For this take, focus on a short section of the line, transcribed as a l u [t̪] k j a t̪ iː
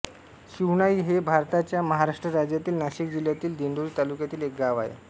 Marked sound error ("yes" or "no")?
yes